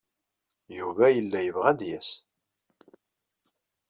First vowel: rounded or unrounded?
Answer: rounded